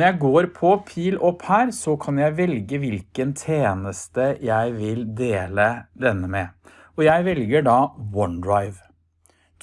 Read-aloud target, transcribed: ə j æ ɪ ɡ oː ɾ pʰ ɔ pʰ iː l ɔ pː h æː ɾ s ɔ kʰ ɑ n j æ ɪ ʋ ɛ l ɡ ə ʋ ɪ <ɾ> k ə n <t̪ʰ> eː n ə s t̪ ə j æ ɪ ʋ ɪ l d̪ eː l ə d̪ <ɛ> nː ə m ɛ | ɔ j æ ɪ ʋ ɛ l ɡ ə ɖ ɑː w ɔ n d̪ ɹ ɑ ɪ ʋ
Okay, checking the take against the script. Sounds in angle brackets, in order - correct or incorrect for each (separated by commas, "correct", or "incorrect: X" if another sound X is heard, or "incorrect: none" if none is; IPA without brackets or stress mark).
incorrect: l, correct, correct